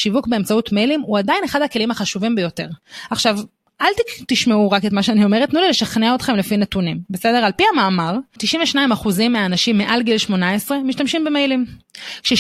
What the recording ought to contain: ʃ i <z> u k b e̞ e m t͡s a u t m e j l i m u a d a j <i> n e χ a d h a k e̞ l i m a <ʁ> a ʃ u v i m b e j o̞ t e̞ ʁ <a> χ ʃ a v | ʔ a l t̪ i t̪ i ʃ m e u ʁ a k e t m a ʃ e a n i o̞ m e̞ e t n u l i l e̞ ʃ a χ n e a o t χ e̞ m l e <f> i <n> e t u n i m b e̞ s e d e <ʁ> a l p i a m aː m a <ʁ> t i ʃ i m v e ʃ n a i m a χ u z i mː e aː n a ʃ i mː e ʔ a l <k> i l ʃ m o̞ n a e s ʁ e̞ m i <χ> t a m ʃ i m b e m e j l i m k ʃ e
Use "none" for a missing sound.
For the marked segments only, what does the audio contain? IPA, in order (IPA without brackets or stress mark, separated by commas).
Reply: v, i, χ, a, f, n, ʁ, ʁ, ɡ, ʃ